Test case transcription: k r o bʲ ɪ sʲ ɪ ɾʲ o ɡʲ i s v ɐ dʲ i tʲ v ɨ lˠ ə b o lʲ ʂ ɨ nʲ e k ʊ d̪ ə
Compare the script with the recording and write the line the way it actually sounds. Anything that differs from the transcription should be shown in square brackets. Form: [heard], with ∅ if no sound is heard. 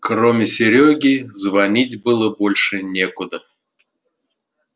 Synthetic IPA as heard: k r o [mʲ] ɪ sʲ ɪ ɾʲ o ɡʲ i [z] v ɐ [nʲ] i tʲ [b] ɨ lˠ ə b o lʲ ʂ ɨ nʲ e k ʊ d̪ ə

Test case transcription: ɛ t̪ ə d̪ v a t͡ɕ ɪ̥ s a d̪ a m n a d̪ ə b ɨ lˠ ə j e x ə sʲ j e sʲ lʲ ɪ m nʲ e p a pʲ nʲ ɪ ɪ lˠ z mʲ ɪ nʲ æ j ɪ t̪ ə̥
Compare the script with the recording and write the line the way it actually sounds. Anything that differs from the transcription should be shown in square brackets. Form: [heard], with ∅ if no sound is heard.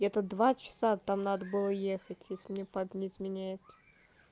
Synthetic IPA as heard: ɛ t̪ ə d̪ v a t͡ɕ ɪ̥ s a [t̪] a m n a d̪ ə b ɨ lˠ ə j e x ə [tʲ] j e sʲ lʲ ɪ m nʲ e p a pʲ nʲ ɪ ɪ [∅] z mʲ ɪ nʲ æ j ɪ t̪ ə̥

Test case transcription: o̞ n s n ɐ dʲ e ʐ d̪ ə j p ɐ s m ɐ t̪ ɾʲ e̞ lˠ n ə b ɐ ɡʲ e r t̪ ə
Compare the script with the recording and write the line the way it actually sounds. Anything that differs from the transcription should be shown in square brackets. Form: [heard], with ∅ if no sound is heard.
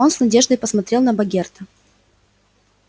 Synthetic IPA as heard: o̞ n s n ɐ dʲ e ʐ d̪ ə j p [ə] s m ɐ t̪ ɾʲ e̞ lˠ n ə b ɐ ɡʲ e r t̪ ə

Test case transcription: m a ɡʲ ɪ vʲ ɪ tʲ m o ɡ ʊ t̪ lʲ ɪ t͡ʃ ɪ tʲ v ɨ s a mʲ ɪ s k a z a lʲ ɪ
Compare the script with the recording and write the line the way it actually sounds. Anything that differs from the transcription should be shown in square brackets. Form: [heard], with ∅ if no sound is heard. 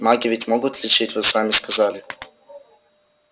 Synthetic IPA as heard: m a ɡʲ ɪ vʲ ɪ tʲ m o ɡ ʊ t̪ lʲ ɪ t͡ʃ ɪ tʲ v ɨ s a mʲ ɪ s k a z a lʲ ɪ

